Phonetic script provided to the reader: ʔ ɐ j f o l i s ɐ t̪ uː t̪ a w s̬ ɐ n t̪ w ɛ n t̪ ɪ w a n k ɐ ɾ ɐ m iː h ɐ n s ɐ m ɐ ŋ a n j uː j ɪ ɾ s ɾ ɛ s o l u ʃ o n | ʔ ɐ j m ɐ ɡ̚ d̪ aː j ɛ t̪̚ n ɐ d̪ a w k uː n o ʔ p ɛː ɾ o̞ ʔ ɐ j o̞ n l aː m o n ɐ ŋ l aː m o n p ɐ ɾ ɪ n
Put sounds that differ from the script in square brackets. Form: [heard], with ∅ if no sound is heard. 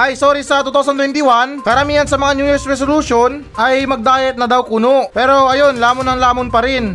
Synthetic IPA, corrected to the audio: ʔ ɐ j [s] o [ɾ] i s ɐ t̪ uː t̪ a w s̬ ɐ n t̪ w ɛ n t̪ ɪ w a n k ɐ ɾ ɐ m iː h ɐ n s ɐ m ɐ ŋ a n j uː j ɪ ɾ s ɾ ɛ s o l u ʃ o n | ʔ ɐ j m ɐ ɡ̚ d̪ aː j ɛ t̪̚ n ɐ d̪ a w k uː n o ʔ p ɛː ɾ o̞ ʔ ɐ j o̞ n l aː m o n ɐ ŋ l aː m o n p ɐ ɾ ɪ n